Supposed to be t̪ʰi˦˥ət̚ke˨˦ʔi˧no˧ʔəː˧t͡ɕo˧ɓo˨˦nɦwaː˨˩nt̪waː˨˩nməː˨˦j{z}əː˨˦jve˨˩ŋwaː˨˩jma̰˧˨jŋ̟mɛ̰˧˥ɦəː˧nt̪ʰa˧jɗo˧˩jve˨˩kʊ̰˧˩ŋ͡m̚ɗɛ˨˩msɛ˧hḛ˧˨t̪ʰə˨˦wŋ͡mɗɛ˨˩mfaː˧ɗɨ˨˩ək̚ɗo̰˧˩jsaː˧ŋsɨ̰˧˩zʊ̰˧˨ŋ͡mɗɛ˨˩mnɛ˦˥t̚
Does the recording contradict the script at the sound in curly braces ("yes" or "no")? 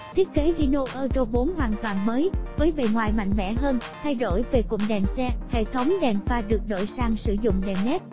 yes